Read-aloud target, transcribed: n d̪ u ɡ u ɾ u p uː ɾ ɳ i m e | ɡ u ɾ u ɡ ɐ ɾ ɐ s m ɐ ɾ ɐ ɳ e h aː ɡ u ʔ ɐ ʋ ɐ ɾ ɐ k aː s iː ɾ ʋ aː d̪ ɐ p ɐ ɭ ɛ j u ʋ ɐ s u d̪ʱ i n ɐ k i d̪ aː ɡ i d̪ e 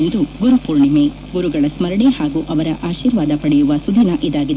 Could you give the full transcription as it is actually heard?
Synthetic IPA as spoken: n d̪ u ɡ u ɾ u p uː ɾ ɳ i m e | ɡ u ɾ u ɡ ɐ ɭ ɐ s m ɐ ɾ ɐ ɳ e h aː ɡ u ʔ ɐ ʋ ɐ ɾ ɐ ʔ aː ʃ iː ɾ ʋ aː d̪ ɐ p ɐ ɽ ɛ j u ʋ ɐ s u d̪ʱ i n ɐ ʔ i d̪ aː ɡ i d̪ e